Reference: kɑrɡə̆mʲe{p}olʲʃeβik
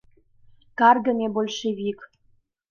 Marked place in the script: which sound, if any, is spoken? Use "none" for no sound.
b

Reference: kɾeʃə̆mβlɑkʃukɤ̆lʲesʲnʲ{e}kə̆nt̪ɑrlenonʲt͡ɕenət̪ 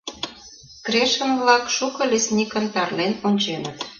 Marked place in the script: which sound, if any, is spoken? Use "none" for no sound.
i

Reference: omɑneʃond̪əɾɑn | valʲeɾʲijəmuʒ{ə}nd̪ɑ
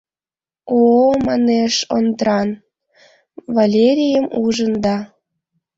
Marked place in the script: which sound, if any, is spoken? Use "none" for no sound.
ə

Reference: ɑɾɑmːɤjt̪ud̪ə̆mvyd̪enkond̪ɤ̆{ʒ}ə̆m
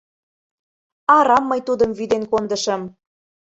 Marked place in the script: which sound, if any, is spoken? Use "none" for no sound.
ʃ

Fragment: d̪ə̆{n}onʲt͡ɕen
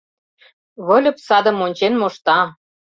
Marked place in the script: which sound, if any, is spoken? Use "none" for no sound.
m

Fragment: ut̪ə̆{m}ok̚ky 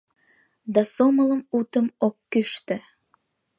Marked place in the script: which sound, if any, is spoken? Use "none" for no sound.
m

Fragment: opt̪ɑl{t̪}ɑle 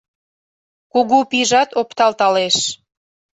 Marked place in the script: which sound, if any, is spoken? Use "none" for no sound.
t̪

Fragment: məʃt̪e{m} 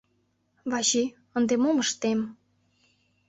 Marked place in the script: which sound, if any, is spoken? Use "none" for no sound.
m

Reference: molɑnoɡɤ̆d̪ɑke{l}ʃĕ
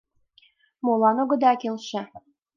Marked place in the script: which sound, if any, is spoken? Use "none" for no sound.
l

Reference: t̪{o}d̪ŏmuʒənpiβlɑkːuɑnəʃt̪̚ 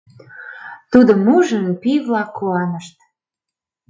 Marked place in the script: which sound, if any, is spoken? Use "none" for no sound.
u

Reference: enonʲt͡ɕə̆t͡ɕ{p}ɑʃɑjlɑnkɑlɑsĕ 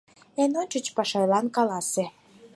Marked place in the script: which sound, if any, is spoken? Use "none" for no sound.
p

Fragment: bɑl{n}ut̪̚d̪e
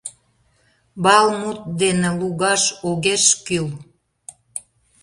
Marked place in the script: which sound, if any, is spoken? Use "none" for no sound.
m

